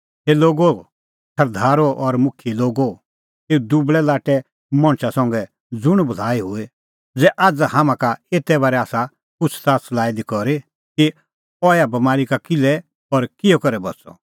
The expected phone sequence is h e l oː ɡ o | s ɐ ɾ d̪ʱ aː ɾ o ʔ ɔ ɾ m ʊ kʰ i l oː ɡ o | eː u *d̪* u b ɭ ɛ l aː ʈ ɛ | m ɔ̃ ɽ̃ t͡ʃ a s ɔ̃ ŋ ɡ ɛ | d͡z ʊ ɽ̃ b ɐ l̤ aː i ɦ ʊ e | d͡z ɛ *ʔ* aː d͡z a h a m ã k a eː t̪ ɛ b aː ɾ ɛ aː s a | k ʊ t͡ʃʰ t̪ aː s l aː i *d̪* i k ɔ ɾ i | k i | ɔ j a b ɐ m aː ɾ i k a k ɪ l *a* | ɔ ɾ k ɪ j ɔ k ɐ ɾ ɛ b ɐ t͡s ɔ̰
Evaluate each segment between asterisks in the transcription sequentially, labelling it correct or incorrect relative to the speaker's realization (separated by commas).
correct, correct, correct, incorrect